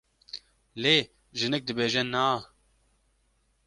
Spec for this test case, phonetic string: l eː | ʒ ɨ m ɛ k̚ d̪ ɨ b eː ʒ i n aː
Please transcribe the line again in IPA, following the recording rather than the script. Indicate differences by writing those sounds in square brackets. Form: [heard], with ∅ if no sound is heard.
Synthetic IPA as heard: l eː | ʒ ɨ [n] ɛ k̚ d̪ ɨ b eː ʒ [ɛ] n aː